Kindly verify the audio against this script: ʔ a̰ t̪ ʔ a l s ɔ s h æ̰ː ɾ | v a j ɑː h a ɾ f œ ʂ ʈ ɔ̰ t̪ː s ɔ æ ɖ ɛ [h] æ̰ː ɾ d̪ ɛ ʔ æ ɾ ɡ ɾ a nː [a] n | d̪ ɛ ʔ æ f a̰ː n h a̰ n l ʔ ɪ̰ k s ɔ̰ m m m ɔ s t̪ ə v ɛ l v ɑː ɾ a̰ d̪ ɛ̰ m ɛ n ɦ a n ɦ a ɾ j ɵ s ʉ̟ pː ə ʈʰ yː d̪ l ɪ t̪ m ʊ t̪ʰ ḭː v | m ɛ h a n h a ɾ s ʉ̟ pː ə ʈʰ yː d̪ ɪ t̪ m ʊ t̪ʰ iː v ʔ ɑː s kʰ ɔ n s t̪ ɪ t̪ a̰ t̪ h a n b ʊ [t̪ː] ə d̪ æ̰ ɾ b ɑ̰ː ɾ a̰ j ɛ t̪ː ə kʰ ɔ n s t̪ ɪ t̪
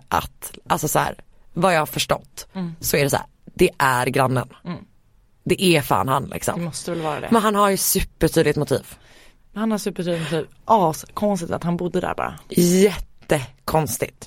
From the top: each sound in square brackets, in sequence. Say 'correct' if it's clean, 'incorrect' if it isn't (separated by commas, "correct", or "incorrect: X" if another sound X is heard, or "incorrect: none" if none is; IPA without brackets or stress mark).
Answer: incorrect: s, incorrect: ə, incorrect: d̪ː